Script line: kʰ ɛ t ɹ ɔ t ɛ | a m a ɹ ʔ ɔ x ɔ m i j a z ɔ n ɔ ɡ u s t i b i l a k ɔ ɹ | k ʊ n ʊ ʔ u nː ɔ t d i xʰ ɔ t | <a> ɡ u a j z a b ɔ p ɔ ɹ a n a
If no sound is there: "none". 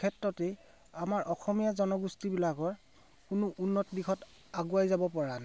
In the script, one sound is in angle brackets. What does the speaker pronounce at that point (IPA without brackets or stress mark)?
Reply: a